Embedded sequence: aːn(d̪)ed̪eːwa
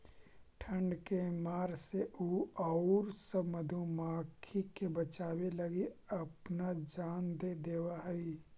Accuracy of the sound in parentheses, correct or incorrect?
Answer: correct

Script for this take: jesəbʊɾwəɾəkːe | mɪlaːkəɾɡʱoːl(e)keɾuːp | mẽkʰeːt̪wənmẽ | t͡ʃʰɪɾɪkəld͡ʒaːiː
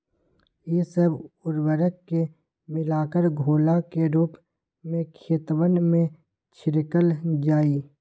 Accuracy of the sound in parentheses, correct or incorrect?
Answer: incorrect: a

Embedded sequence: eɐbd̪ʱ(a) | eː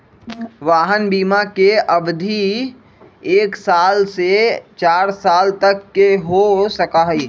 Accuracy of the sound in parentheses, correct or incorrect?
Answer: incorrect: i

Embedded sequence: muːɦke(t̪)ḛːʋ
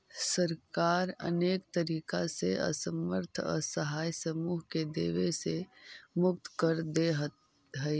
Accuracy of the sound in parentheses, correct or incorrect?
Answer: incorrect: d̪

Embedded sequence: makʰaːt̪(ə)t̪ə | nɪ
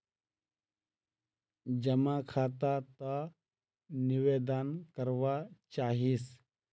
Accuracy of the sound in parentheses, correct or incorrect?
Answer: incorrect: a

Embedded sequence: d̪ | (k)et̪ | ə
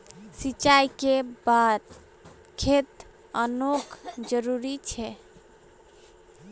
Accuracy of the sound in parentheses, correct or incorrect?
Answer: incorrect: kʰ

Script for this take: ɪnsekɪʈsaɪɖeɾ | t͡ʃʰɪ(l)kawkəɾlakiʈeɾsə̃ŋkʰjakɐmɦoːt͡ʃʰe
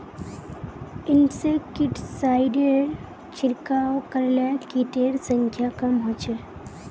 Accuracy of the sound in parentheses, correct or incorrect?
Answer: incorrect: ɾ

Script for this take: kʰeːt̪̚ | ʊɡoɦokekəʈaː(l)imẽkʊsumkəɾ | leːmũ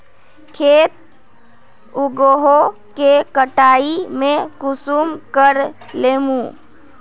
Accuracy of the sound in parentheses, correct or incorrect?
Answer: incorrect: none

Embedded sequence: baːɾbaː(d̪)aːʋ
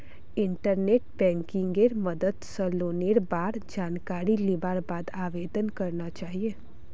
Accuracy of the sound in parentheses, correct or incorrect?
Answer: correct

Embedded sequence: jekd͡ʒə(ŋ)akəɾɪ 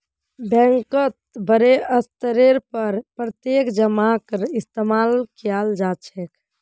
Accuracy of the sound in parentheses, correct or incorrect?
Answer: incorrect: m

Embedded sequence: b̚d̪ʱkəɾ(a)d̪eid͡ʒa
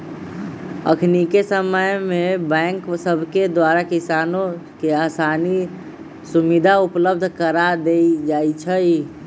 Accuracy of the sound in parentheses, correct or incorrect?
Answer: correct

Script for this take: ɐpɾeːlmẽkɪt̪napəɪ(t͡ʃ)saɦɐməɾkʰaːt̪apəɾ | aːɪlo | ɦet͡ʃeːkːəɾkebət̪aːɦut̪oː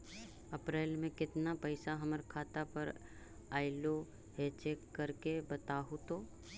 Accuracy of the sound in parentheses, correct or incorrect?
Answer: incorrect: none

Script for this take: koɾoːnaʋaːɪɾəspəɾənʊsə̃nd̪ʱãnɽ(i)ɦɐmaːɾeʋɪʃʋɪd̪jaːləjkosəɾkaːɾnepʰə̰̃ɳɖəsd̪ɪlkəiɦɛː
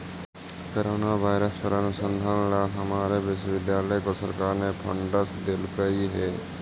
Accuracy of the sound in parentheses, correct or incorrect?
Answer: incorrect: a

